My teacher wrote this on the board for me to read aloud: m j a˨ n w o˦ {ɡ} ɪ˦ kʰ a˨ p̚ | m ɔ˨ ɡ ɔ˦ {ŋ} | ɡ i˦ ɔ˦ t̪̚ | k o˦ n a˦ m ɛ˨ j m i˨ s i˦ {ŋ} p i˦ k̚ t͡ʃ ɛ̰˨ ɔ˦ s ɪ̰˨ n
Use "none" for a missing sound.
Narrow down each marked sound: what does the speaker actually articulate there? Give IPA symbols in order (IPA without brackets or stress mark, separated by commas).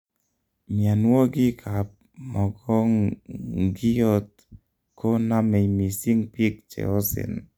ɡ, ŋ, ŋ